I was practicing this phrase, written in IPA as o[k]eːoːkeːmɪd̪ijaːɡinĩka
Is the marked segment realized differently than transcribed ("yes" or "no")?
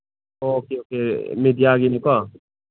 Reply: no